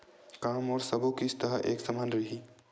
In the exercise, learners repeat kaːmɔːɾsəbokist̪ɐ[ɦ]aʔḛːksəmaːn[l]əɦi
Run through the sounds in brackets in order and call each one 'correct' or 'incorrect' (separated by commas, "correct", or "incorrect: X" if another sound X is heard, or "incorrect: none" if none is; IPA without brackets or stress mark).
correct, incorrect: ɾ